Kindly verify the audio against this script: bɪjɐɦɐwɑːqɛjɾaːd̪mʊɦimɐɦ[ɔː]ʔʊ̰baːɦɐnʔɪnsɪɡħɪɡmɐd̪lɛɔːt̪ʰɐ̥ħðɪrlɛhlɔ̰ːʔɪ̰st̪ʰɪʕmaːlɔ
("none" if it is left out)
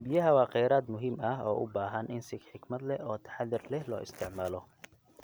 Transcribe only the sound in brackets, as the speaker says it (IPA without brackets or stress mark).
ɔː